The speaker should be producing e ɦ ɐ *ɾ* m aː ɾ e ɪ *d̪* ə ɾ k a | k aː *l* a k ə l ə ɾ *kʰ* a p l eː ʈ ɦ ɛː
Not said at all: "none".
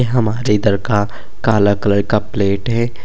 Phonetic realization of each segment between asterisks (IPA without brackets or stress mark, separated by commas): none, d̪, l, k